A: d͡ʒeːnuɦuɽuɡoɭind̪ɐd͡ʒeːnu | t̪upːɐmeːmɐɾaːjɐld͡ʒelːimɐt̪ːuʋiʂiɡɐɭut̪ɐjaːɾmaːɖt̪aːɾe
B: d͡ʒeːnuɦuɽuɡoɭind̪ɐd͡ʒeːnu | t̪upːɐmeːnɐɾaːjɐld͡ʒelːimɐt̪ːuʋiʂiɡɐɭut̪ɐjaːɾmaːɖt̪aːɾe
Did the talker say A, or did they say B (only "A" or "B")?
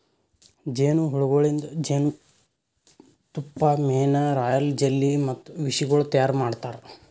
B